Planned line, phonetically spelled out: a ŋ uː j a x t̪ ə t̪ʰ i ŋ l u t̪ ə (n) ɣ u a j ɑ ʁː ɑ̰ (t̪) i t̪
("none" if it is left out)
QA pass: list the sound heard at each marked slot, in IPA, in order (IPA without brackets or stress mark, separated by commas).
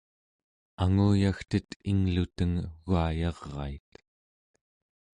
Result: ŋ, none